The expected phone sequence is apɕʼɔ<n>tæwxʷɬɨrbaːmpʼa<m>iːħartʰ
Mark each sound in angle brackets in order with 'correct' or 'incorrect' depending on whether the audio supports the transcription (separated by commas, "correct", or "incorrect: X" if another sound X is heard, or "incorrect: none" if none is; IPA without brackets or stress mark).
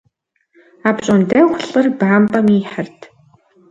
correct, correct